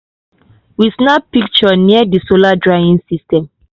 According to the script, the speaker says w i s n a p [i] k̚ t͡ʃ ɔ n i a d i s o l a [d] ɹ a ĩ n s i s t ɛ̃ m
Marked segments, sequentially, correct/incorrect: correct, correct

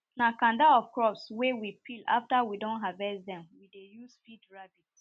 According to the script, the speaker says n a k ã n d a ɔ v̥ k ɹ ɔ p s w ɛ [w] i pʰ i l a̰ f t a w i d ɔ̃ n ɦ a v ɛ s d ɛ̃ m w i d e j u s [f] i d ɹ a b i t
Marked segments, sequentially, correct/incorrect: correct, correct

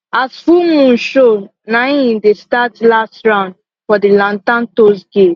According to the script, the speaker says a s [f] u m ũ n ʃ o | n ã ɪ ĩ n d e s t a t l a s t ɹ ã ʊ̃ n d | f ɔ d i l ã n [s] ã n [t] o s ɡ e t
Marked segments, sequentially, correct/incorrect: correct, incorrect: t, correct

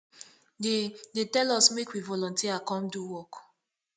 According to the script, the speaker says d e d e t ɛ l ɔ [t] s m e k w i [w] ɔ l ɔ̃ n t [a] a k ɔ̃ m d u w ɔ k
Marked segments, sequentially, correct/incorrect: incorrect: none, incorrect: v, incorrect: i

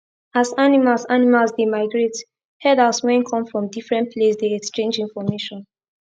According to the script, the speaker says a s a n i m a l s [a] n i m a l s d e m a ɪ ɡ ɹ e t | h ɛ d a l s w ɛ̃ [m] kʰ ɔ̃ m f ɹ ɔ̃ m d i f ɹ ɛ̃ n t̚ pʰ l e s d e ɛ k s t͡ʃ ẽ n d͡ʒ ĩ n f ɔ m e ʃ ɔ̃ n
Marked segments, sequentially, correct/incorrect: correct, incorrect: n

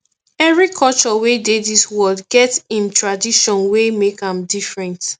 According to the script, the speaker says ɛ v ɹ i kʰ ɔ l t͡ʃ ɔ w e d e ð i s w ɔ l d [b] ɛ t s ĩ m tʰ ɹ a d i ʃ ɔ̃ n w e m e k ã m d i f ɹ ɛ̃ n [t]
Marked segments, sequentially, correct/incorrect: incorrect: ɡ, correct

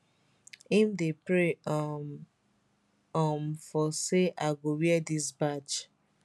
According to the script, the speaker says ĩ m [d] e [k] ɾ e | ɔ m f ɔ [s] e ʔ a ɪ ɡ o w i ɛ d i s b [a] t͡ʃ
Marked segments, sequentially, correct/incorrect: correct, incorrect: p, correct, correct

